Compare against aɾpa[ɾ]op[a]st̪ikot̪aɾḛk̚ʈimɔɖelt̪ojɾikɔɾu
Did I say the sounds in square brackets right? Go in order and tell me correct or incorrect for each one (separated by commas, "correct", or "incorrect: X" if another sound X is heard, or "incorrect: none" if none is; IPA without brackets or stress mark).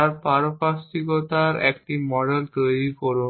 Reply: correct, correct